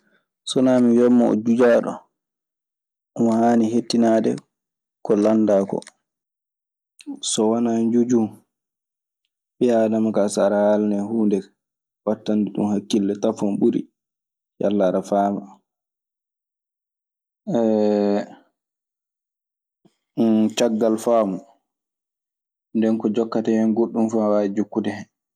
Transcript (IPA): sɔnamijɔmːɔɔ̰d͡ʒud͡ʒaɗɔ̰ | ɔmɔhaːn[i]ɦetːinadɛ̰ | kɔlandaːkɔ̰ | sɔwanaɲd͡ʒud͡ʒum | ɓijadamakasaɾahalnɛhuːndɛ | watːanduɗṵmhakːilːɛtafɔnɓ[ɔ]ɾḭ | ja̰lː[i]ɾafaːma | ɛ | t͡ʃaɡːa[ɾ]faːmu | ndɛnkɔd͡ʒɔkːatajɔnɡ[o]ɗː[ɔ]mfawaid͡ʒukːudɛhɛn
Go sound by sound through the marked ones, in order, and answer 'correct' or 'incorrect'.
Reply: correct, incorrect, incorrect, incorrect, correct, incorrect

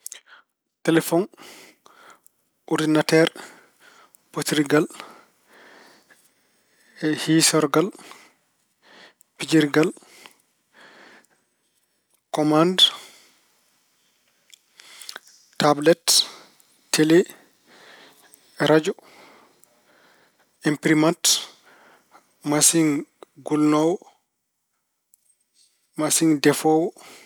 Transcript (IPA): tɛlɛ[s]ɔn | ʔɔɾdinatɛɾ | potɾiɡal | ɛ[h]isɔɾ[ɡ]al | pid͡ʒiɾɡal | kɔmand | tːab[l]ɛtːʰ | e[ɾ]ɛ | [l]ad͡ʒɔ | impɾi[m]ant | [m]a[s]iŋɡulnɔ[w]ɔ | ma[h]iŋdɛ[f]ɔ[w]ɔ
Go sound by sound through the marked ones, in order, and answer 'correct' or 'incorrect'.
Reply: incorrect, correct, correct, correct, incorrect, incorrect, correct, correct, correct, correct, incorrect, correct, correct

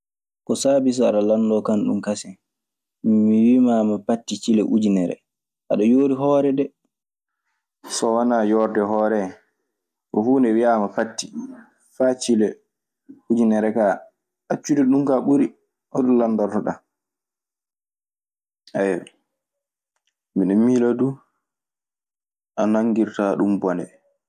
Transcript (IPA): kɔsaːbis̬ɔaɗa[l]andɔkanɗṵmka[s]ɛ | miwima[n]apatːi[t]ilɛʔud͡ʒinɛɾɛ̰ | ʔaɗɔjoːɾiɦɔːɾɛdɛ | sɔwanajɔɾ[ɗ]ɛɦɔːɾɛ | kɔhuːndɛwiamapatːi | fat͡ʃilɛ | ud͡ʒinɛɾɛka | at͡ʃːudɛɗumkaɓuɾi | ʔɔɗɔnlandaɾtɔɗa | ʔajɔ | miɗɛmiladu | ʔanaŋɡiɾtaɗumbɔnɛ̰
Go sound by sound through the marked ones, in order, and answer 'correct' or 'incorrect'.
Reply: correct, correct, incorrect, incorrect, incorrect

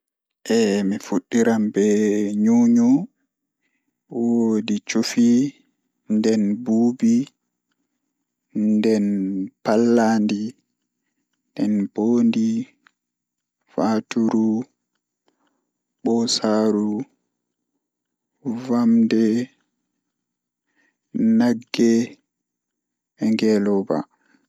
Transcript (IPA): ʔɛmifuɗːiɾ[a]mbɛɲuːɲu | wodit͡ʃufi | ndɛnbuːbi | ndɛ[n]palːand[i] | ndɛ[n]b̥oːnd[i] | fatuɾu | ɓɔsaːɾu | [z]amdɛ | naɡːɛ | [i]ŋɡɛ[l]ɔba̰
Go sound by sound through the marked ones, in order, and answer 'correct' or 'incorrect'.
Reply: correct, correct, correct, correct, correct, incorrect, incorrect, correct

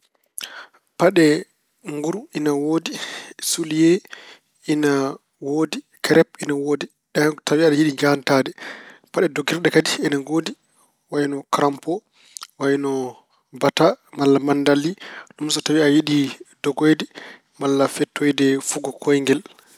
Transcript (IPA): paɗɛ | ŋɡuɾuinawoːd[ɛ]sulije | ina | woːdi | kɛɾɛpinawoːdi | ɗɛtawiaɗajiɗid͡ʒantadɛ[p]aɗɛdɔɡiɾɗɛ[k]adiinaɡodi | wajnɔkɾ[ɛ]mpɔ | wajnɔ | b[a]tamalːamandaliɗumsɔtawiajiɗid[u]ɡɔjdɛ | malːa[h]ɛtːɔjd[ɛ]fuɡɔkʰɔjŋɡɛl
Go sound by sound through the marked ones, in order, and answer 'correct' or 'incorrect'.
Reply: incorrect, correct, correct, incorrect, correct, incorrect, incorrect, correct

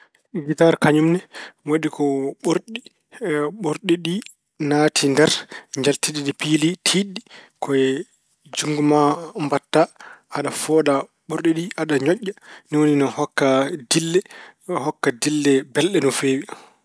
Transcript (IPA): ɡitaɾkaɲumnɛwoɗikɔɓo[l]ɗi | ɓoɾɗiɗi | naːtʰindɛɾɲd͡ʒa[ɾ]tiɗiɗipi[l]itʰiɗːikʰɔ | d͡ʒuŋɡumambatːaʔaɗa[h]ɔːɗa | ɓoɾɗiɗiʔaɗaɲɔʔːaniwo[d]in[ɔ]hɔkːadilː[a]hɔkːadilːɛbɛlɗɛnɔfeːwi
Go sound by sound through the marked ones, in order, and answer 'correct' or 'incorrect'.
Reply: incorrect, incorrect, correct, incorrect, incorrect, correct, incorrect

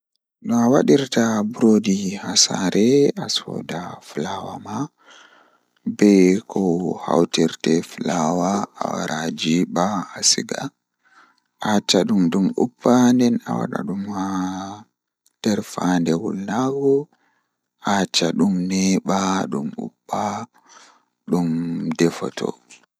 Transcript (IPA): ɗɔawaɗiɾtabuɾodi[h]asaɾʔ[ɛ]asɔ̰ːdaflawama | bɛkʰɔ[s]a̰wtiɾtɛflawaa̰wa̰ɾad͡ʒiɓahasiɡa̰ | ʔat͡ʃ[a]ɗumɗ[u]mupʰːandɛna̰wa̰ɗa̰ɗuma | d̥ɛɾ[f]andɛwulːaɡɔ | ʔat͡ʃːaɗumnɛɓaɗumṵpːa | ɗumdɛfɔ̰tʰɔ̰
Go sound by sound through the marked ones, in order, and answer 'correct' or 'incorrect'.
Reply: correct, correct, incorrect, correct, correct, correct

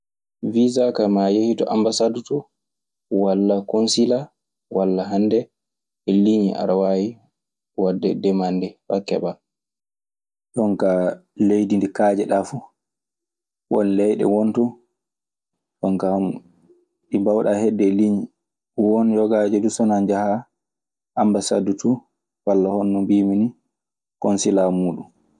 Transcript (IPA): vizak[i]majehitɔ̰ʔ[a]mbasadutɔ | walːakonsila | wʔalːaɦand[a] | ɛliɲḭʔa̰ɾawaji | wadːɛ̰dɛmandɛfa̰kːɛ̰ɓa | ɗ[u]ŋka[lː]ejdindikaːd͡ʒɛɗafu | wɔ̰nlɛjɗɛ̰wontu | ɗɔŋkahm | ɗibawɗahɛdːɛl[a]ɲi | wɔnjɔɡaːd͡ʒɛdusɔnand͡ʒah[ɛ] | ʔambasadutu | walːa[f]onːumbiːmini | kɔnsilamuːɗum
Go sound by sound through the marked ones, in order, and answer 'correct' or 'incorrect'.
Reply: incorrect, correct, incorrect, incorrect, incorrect, incorrect, incorrect, incorrect

